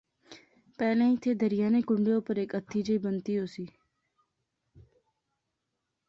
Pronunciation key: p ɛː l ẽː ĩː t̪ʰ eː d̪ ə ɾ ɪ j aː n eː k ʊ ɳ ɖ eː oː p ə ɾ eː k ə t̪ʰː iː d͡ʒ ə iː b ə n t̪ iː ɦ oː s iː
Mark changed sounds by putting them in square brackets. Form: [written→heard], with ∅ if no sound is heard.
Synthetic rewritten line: p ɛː l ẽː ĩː t̪ʰ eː d̪ ə ɾ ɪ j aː n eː k ʊ ɳ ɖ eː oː p ə ɾ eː k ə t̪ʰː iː d͡ʒ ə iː b ə n t̪ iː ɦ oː s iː